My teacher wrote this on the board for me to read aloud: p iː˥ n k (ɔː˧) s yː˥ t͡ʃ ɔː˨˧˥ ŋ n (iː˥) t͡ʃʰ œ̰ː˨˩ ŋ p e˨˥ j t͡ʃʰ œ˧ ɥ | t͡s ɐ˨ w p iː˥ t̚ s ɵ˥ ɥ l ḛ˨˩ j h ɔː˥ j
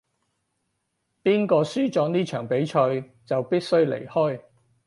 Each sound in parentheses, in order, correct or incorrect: correct, correct

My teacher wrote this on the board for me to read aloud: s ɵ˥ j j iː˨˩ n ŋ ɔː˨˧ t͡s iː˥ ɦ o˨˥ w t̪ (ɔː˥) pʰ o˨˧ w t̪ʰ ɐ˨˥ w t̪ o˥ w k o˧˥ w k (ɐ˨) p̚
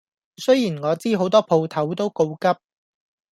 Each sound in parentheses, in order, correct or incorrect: correct, incorrect: ɐ˥

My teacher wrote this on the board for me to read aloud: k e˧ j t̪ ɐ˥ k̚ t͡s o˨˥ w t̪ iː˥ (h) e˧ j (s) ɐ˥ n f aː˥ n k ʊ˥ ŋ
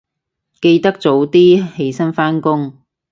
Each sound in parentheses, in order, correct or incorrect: correct, correct

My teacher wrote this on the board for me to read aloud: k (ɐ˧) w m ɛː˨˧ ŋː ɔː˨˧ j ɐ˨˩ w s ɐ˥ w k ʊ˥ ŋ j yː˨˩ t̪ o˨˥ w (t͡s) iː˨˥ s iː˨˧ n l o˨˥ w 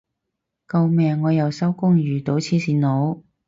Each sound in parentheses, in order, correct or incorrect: correct, incorrect: t͡sʰ

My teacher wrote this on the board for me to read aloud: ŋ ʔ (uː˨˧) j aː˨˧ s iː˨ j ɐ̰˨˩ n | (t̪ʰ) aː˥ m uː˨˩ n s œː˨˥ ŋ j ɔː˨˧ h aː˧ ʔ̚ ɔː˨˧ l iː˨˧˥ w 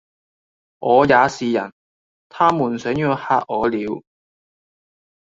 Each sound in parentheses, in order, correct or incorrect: incorrect: ɔː˨˧, correct

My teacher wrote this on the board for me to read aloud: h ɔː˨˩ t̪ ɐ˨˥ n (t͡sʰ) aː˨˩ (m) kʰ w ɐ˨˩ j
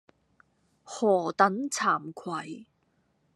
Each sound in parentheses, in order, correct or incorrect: correct, correct

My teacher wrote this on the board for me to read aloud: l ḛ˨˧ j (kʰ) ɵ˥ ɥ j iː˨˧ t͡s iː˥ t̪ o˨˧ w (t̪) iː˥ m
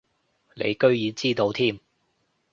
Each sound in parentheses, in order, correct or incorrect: incorrect: k, incorrect: t̪ʰ

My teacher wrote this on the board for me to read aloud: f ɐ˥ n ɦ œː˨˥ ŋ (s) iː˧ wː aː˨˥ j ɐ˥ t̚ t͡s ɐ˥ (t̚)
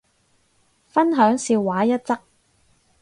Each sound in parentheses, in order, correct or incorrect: correct, incorrect: k̚

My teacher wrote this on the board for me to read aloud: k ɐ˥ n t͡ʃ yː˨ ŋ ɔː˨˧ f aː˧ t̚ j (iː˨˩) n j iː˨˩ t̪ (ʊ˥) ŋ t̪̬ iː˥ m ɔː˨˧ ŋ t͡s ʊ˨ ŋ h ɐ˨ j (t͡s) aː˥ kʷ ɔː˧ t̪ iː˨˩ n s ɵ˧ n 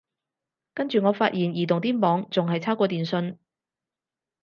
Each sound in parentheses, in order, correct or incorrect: correct, incorrect: ʊ˨˩, incorrect: t͡sʰ

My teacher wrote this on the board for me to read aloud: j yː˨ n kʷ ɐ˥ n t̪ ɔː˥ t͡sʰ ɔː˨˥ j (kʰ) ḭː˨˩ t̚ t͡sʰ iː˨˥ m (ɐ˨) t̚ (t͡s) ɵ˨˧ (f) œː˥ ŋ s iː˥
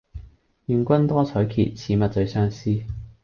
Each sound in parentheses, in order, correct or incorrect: correct, correct, correct, incorrect: s

